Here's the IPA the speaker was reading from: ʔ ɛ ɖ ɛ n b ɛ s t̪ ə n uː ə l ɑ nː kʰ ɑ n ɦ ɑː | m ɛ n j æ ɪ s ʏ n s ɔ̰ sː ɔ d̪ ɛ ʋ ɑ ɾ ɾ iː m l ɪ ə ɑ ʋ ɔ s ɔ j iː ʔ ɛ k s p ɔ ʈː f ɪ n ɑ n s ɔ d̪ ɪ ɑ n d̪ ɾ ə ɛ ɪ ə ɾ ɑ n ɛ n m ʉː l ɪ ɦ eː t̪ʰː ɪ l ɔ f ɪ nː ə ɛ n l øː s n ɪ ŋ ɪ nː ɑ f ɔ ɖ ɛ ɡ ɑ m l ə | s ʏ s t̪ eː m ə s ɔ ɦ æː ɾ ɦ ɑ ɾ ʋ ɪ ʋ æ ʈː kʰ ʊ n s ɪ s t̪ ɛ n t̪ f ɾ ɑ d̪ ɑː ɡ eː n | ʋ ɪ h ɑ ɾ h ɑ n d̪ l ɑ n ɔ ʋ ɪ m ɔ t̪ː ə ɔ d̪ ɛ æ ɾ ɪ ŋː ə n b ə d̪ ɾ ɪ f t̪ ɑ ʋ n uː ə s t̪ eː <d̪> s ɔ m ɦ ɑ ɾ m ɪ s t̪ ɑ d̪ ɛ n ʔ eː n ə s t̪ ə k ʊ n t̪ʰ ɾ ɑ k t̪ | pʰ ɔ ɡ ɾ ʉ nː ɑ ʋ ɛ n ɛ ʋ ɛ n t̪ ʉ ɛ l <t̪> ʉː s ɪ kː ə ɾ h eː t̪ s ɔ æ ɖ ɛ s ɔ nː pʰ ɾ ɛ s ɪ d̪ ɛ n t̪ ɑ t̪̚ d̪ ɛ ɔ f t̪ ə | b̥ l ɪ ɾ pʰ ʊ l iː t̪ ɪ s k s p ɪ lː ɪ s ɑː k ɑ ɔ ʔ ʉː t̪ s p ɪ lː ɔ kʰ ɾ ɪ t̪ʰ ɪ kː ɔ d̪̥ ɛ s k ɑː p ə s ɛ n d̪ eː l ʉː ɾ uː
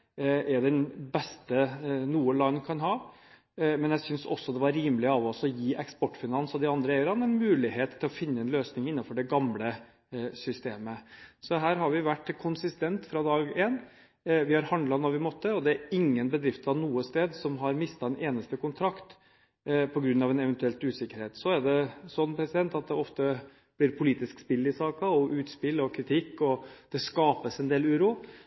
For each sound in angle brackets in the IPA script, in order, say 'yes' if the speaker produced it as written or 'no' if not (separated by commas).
yes, yes